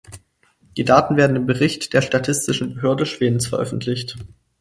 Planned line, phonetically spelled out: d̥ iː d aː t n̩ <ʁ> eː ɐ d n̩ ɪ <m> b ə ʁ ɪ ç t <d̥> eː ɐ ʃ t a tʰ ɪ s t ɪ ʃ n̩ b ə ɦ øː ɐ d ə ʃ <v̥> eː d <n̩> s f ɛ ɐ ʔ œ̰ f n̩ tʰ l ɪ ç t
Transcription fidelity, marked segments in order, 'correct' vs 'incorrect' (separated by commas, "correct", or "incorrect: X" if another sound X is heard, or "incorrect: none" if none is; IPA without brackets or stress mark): incorrect: v, correct, correct, correct, correct